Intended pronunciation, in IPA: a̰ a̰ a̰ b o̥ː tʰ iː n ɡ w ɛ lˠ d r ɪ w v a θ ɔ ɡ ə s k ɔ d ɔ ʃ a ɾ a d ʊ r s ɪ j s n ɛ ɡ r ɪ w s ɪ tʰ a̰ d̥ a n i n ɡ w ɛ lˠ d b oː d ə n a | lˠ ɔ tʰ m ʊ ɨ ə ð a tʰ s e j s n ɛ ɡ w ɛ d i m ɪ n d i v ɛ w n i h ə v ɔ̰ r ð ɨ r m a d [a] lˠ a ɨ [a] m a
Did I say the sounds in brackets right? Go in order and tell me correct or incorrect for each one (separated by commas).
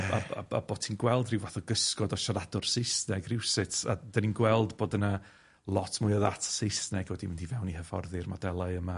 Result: incorrect, incorrect